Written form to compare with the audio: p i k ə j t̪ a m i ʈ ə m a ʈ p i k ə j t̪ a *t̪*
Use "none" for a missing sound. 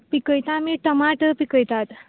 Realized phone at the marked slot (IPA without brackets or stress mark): t̪